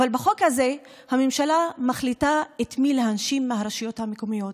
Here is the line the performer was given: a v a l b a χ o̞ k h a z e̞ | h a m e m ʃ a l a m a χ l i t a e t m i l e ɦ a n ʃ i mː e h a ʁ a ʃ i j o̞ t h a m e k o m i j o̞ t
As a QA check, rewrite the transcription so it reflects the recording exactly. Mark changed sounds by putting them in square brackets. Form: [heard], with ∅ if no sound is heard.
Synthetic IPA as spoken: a v a l b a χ o̞ k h a z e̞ | h a m e m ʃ a l a m a χ l i t a e t m i l e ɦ a n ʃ i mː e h a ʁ a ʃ i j o̞ t h a m e k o m i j o̞ t